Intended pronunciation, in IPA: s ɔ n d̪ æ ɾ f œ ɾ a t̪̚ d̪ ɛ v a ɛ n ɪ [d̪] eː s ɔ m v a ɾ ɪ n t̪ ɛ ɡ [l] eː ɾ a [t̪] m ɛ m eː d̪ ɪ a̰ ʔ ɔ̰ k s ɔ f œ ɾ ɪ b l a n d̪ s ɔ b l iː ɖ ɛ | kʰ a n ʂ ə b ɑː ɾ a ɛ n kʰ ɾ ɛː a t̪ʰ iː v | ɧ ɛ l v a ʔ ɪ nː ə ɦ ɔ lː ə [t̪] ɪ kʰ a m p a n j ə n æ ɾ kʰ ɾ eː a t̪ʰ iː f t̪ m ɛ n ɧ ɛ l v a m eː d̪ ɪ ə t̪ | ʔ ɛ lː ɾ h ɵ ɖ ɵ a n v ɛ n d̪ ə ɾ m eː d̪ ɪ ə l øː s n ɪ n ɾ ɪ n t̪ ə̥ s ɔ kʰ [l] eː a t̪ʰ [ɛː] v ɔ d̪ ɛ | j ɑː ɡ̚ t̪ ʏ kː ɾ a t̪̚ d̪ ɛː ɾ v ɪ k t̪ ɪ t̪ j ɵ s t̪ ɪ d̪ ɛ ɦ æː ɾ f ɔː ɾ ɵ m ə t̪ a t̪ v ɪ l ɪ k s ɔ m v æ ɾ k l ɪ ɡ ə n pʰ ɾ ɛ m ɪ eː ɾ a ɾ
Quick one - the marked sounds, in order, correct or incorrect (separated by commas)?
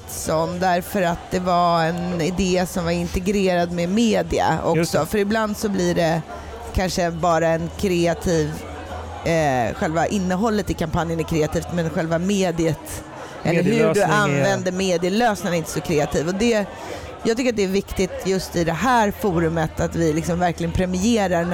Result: correct, incorrect, incorrect, correct, incorrect, incorrect